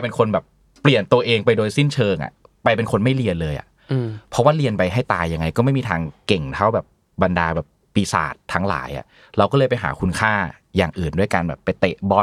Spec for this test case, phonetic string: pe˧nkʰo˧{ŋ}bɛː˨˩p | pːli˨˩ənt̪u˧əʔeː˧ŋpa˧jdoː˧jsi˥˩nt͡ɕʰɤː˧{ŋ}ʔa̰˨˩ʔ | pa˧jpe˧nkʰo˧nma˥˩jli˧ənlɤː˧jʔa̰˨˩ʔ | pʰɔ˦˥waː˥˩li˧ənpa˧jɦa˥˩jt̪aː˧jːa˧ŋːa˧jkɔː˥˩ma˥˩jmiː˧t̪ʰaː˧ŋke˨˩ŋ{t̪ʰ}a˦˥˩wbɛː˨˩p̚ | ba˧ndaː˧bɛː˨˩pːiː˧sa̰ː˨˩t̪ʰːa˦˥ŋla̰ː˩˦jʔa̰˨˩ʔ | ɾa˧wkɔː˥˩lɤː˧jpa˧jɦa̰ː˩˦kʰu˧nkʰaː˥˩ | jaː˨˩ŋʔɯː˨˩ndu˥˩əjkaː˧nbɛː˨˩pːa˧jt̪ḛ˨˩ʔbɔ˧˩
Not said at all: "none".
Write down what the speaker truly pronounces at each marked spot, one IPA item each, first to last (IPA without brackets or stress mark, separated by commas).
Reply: n, ŋ, t̪ʰ